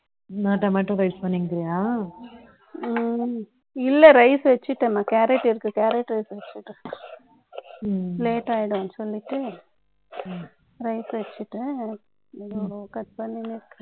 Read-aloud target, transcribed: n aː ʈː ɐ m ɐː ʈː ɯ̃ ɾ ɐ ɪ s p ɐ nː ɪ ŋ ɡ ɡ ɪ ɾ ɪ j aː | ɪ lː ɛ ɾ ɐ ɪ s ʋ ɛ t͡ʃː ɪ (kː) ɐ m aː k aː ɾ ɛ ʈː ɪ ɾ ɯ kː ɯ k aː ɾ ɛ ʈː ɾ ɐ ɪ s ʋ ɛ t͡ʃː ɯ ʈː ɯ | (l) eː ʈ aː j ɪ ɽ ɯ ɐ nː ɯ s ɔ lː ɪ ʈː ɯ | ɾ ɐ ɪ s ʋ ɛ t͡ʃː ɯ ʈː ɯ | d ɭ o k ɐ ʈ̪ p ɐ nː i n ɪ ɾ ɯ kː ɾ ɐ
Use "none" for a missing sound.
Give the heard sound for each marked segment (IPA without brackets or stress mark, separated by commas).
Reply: ʈː, l